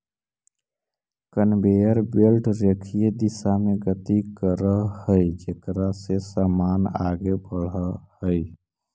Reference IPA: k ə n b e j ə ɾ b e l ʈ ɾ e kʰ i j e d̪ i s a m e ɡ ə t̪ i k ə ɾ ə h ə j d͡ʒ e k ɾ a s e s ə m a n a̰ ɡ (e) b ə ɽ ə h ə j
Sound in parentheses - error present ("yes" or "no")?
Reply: no